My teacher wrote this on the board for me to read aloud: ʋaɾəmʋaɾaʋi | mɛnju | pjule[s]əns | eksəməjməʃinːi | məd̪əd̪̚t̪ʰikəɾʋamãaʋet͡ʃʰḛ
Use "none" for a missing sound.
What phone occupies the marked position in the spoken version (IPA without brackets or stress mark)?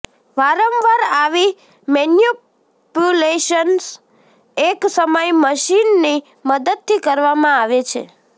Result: ʃ